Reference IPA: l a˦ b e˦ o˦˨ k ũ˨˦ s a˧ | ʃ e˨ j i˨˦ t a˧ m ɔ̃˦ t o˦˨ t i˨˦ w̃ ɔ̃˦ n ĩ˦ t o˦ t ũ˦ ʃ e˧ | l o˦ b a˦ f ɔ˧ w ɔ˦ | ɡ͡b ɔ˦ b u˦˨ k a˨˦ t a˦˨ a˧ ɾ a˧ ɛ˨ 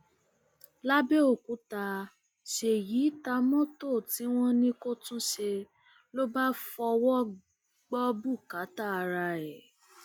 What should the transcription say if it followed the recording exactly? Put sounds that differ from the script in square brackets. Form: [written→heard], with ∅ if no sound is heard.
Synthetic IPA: l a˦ b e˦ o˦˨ k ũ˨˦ [s→t] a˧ | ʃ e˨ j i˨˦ t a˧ m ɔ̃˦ t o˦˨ t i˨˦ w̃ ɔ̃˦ n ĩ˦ [t→k] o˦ t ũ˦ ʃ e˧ | l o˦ b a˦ f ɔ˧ w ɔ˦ | ɡ͡b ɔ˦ b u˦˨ k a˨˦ t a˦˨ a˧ ɾ a˧ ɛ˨